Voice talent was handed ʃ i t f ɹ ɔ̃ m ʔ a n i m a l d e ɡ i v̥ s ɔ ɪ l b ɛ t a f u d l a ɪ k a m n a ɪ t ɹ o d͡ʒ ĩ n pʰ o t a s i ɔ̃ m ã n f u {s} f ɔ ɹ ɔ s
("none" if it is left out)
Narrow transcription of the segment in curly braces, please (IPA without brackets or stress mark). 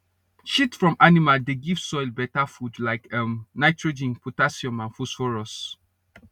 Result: s